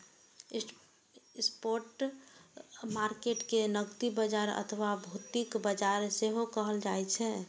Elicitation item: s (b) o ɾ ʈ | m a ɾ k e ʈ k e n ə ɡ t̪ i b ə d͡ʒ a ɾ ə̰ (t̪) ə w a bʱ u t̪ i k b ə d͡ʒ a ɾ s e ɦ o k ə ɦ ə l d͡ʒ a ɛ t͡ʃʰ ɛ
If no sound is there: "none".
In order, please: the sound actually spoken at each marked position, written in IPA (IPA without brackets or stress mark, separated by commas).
p, t̪ʰ